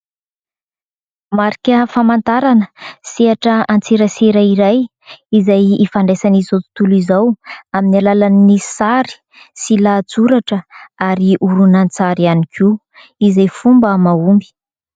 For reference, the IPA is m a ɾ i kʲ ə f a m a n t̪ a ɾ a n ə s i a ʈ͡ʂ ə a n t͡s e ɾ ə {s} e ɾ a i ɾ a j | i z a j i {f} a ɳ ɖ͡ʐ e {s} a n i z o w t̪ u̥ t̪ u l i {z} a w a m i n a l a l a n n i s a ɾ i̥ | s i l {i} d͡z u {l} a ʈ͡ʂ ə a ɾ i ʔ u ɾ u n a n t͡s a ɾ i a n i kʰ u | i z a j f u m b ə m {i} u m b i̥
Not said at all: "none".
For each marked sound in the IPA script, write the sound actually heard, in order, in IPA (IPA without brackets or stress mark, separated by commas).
s, f, s, z, a, ɾ, a